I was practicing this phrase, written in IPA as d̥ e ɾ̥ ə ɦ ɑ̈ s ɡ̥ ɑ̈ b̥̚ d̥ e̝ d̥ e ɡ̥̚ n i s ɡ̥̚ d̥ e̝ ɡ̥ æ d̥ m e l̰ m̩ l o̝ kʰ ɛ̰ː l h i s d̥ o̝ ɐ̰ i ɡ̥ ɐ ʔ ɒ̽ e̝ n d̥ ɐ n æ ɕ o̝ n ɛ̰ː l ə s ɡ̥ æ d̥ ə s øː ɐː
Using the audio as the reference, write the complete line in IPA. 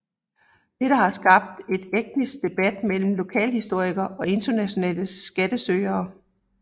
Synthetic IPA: d̥ e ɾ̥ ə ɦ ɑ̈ s ɡ̥ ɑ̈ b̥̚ d̥ e̝ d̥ e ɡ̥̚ n i s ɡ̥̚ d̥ e̝ b̥ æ d̥ m e l̰ m̩ l o̝ kʰ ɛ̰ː l h i s d̥ o̝ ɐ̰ i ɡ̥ ɐ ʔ ɒ̽ e̝ n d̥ ɐ n æ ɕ o̝ n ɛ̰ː l ə s ɡ̥ æ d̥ ə s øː ɐː

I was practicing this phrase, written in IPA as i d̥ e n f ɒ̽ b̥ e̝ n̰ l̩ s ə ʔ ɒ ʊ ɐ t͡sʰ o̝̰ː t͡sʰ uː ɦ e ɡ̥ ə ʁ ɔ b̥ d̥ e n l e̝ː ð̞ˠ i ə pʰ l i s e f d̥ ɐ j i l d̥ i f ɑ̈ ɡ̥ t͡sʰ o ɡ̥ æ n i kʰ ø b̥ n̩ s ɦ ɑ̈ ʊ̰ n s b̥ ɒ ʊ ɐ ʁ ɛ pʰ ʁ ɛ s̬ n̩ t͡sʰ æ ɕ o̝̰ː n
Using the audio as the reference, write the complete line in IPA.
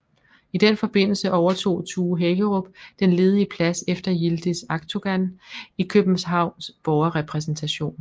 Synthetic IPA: i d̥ e n f ɒ̽ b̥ e̝ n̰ l̩ s ə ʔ ɒ ʊ ɐ t͡sʰ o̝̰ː t͡sʰ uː ɦ e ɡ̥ ə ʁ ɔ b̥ d̥ e n l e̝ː ð̞ˠ i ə pʰ l æ s e f d̥ ɐ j i l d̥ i s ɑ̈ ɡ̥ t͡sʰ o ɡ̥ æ n i kʰ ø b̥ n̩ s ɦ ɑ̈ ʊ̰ n s b̥ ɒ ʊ ɐ ʁ ɛ pʰ ʁ ɛ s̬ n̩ t͡sʰ æ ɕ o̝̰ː n

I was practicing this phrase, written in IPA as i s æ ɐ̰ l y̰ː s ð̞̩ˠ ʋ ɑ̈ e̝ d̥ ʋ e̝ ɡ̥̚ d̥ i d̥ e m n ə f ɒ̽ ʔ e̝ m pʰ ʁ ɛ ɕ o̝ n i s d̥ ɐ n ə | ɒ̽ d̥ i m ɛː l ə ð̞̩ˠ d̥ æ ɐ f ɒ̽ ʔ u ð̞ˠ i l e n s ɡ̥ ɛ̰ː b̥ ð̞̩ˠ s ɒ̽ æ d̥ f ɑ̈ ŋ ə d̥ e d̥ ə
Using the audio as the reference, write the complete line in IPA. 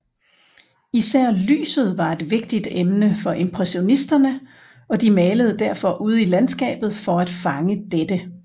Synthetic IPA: i s æ ɐ̰ l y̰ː s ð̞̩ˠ ʋ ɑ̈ e̝ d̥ ʋ e̝ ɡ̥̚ d̥ i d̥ e m n ə f ɒ̽ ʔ e̝ m pʰ ʁ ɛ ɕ o̝ n i s d̥ ɐ n ə | ɒ̽ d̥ i m ɛː l ə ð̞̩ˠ d̥ æ ɐ f ɒ̽ ʔ u ð̞ˠ i l æ n s ɡ̥ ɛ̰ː b̥ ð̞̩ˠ f ɒ̽ æ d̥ f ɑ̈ ŋ ə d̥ e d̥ ə

